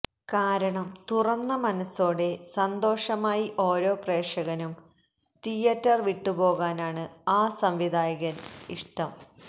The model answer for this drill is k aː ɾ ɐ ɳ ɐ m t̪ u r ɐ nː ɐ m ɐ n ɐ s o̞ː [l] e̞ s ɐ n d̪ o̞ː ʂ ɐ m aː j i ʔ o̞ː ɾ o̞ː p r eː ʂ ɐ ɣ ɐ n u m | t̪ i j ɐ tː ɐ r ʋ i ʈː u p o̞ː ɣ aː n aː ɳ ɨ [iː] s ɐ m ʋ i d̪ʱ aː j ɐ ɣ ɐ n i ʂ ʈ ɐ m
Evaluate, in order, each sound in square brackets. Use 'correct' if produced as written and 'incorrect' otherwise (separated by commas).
incorrect, incorrect